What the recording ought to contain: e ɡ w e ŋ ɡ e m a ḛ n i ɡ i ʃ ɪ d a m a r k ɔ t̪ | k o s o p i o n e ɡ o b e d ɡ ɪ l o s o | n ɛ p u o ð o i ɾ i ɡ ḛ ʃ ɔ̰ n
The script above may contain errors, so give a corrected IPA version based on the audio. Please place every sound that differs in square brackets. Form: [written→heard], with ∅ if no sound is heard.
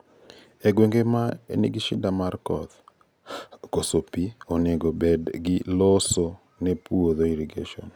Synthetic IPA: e ɡ w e ŋ ɡ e m a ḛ n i ɡ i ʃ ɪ d a m a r k ɔ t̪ | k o s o p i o n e ɡ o b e d ɡ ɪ l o s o | n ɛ p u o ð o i ɾ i ɡ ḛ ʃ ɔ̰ n